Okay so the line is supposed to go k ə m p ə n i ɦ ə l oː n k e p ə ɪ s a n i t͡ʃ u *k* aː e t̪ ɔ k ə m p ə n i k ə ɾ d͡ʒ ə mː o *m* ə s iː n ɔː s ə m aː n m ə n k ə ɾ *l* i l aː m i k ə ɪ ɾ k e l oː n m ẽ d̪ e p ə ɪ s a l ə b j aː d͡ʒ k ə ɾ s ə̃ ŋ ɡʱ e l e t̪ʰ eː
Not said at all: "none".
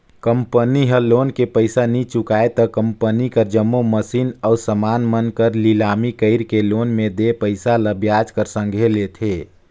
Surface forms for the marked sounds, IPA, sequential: k, m, l

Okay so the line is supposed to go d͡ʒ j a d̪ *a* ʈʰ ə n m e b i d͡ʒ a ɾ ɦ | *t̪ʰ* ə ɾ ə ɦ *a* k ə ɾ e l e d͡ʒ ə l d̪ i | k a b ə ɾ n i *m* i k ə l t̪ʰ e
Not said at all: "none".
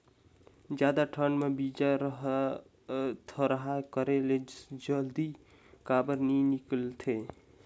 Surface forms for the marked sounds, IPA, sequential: a, t̪ʰ, a, n

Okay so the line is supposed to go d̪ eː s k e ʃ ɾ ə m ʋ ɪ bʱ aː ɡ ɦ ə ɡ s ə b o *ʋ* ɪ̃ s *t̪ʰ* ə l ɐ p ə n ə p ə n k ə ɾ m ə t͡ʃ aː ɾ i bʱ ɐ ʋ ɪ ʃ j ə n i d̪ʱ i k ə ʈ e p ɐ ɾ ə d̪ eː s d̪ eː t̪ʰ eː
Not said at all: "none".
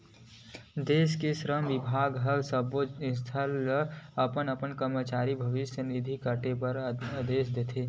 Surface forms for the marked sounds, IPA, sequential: none, t̪ʰ

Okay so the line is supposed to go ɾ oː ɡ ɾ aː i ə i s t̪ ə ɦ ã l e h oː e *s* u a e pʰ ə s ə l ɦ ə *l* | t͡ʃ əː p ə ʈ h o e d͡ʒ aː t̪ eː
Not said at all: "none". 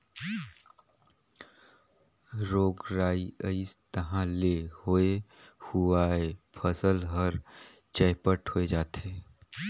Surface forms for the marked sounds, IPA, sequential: h, ɾ

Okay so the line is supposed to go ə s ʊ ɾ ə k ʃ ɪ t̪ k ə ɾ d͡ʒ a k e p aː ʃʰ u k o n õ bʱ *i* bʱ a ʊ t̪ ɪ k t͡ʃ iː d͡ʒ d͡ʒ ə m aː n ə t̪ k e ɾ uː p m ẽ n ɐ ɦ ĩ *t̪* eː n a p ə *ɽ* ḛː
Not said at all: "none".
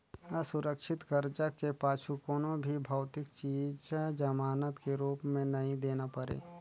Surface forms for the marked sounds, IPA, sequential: i, d̪, ɾ

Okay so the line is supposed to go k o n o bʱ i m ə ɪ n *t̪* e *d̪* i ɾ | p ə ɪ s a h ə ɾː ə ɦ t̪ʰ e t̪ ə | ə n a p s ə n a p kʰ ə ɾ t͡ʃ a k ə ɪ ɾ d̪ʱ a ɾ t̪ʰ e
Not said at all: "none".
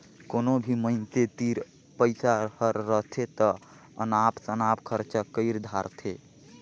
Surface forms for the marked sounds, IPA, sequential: t̪, t̪

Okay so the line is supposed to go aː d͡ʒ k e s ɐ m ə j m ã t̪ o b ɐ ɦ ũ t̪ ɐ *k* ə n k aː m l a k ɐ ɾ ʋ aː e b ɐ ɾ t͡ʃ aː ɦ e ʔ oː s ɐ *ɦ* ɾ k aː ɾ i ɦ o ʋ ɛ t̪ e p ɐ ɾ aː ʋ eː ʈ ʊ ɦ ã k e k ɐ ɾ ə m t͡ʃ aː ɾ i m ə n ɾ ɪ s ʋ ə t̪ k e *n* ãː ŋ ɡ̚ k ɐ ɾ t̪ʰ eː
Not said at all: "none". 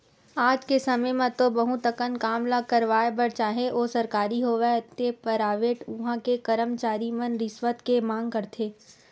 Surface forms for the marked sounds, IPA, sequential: k, none, m

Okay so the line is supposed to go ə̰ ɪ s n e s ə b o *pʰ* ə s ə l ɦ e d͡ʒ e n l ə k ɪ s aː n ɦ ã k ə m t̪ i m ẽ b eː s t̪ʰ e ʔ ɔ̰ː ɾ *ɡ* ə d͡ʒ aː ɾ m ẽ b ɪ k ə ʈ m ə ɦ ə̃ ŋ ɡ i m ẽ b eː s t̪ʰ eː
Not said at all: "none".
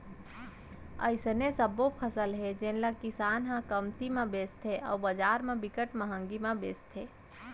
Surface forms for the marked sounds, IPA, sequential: pʰ, b

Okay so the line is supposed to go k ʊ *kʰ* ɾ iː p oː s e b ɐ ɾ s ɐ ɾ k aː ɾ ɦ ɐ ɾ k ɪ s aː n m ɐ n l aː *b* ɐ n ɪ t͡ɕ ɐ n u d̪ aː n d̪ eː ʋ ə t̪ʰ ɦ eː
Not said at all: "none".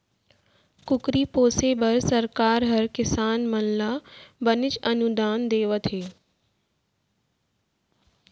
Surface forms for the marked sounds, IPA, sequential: k, b

